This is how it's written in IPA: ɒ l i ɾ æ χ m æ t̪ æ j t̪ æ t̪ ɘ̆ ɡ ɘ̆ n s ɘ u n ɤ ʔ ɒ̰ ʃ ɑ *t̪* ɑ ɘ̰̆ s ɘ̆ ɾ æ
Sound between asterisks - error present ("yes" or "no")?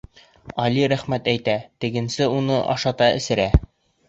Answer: no